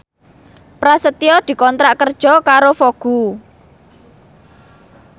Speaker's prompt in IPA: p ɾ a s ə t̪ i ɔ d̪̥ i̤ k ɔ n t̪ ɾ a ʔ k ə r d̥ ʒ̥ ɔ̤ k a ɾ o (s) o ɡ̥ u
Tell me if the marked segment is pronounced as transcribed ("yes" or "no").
no